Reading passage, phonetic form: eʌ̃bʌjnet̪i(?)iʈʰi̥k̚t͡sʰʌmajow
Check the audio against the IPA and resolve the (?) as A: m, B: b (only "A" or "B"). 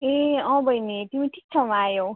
A